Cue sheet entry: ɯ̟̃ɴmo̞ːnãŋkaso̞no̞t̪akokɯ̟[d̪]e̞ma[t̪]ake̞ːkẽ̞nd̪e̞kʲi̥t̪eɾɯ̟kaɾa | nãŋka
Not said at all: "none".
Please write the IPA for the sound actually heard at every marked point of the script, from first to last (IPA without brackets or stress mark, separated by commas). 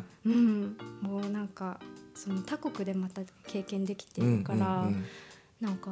d̪, t̪